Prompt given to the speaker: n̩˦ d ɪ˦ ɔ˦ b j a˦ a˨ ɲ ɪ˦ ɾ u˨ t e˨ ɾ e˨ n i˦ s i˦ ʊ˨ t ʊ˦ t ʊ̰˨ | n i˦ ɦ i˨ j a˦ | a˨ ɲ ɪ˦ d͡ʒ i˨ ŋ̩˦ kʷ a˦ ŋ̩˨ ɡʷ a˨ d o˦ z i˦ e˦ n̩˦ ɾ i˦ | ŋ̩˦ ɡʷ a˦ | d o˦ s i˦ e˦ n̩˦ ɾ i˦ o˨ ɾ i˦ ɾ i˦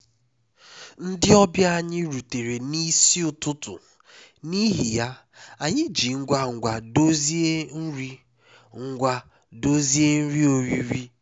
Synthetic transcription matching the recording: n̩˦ d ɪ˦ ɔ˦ b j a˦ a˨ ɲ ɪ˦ ɾ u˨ t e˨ ɾ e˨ n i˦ s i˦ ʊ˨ t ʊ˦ t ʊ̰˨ | n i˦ ɦ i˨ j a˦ | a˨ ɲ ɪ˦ d͡ʒ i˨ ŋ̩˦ ɡʷ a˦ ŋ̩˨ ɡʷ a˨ d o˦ z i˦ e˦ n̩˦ ɾ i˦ | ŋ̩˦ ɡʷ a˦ | d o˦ z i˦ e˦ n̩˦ ɾ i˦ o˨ ɾ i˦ ɾ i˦